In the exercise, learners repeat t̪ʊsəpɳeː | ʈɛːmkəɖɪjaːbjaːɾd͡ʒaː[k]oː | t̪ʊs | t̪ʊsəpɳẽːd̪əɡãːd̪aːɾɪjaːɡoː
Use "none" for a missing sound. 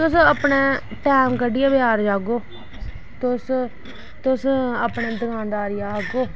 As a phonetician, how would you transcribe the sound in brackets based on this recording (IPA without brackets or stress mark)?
ɡ